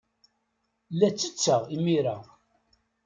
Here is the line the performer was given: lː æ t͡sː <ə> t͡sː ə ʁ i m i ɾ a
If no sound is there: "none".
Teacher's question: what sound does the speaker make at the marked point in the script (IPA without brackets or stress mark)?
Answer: ə